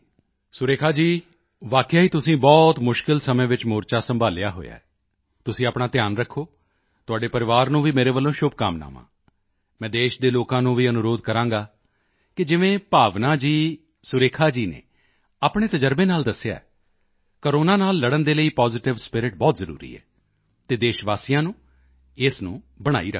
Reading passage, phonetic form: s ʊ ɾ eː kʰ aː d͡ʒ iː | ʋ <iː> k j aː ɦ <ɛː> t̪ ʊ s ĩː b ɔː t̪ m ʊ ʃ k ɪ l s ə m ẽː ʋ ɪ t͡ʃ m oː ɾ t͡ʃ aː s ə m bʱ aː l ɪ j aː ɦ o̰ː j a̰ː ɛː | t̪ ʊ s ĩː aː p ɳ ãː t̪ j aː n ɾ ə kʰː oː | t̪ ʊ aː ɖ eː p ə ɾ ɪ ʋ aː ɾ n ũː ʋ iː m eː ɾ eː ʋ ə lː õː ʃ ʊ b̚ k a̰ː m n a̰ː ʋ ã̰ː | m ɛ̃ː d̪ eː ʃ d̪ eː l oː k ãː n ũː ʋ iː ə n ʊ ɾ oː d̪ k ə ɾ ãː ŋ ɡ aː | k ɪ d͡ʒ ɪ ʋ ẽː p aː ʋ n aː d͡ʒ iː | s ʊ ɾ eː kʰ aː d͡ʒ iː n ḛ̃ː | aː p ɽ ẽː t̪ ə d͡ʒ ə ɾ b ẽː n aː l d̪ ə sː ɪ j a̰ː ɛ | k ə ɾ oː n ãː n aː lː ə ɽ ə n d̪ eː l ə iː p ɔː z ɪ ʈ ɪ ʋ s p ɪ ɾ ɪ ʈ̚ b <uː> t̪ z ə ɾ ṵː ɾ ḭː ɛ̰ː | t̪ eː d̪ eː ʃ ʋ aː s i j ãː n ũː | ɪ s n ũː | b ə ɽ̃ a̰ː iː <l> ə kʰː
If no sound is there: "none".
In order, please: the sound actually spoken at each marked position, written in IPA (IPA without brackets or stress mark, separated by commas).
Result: aː, iː, ɔː, ɾ